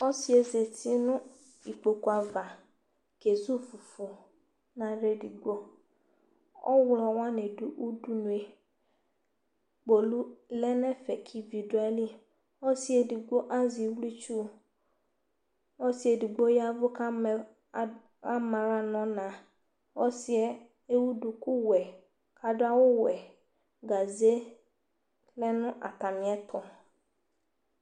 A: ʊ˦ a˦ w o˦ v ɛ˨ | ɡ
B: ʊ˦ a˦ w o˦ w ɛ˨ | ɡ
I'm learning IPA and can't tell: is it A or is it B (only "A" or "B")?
B